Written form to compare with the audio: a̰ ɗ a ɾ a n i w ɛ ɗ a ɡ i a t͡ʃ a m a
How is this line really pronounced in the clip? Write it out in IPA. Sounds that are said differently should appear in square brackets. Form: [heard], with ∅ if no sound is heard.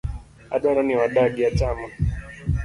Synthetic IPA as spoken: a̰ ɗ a ɾ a n i w [a] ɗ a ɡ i a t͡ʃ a m a